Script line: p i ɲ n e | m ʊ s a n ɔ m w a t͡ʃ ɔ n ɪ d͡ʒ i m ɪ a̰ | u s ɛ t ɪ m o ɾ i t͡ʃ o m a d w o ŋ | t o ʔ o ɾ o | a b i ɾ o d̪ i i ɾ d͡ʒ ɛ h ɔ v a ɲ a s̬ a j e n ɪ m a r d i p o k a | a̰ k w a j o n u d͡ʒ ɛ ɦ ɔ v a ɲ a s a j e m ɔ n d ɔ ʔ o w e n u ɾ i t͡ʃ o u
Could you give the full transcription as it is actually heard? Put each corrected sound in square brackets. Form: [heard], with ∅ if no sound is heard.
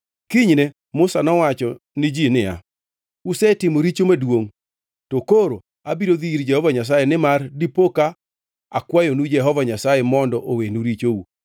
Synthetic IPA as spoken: [k] i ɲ n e | m ʊ s a n ɔ [∅] w a t͡ʃ ɔ n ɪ d͡ʒ i [n] ɪ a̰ | u s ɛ t ɪ m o ɾ i t͡ʃ o m a d w o ŋ | t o [k] o ɾ o | a b i ɾ o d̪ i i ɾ d͡ʒ ɛ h ɔ v a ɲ a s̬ a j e n ɪ m a r d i p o k a | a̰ k w a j o n u d͡ʒ ɛ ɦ ɔ v a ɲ a s a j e m ɔ n d ɔ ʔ o w e n u ɾ i t͡ʃ o u